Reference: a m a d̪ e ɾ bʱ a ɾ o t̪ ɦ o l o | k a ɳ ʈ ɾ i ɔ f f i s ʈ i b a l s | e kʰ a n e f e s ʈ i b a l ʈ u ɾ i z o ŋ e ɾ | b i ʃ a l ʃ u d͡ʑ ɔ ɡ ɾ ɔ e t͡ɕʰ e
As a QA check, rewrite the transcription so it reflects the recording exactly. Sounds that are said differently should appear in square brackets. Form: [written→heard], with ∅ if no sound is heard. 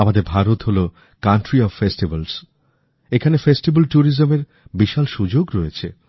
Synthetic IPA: a m a d̪ e ɾ bʱ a ɾ o t̪ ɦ o l o | k a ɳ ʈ ɾ i ɔ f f [i→e] s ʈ i b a l s | e kʰ a n e f e s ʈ i b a l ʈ u ɾ i z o [ŋ→m] e ɾ | b i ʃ a l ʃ u d͡ʑ [ɔ→o] ɡ ɾ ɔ e t͡ɕʰ e